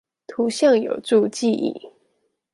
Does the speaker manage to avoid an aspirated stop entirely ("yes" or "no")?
no